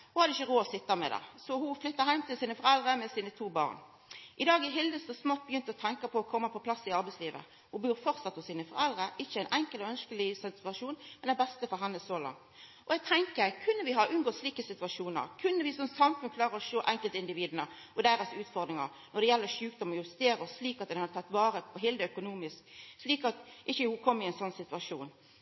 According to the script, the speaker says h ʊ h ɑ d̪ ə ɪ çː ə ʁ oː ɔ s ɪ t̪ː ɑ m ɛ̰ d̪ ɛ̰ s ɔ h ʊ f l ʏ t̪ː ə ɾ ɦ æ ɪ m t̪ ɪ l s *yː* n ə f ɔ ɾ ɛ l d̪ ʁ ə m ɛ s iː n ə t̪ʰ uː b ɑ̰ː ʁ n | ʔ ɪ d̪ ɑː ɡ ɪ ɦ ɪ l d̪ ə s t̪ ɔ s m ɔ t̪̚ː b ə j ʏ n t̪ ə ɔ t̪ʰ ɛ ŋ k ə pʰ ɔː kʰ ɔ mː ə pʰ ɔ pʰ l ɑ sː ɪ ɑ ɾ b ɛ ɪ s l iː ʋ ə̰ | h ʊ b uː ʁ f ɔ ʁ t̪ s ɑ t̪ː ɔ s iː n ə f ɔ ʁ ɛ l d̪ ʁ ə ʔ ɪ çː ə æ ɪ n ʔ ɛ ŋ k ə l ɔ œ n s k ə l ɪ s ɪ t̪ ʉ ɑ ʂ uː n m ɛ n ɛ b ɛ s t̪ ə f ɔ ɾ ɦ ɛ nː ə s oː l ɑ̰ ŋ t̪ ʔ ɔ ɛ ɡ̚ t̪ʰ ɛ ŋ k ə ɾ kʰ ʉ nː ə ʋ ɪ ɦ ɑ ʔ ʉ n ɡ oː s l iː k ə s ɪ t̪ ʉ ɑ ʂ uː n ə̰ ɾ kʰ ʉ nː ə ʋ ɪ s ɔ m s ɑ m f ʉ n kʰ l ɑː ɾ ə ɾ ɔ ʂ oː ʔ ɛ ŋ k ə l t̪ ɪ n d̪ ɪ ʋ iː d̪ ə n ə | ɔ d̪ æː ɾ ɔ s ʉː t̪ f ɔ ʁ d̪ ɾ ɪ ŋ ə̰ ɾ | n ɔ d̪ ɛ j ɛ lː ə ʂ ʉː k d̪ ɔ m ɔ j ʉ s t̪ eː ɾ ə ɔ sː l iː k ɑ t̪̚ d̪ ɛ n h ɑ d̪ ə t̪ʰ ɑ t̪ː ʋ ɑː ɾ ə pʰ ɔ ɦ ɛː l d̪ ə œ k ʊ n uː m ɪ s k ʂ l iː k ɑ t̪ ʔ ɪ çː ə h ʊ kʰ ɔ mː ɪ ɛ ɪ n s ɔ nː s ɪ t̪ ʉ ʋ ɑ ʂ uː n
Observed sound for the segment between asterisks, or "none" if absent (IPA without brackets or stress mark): iː